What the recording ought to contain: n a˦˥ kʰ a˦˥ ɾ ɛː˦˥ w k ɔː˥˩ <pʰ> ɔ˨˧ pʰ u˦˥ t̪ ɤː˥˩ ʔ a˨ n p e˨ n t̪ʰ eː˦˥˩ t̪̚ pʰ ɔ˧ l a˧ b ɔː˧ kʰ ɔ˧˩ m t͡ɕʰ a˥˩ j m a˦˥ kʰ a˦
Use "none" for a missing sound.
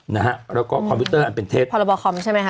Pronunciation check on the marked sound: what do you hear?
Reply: kʰ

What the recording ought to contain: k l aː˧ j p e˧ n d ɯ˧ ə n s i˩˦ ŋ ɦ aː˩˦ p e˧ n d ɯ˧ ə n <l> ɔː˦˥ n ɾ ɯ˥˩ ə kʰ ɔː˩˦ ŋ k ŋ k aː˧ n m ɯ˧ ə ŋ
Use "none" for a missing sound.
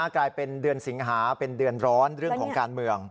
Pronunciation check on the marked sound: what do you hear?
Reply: ɾ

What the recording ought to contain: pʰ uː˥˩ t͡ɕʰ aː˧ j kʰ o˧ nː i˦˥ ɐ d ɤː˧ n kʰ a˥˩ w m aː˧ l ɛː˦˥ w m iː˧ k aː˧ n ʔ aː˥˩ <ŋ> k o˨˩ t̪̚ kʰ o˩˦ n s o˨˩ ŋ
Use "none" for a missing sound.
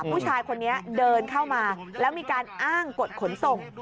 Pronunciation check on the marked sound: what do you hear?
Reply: ŋ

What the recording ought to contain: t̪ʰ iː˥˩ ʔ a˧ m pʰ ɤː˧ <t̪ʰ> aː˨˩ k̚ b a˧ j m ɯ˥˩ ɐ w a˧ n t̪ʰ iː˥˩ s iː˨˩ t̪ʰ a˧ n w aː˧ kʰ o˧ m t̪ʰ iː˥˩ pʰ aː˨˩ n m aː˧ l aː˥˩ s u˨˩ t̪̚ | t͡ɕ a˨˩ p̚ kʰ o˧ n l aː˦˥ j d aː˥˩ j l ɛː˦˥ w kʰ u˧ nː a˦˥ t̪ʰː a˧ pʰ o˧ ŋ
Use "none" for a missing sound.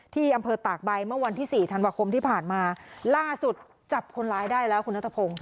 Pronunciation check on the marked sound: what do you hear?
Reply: t̪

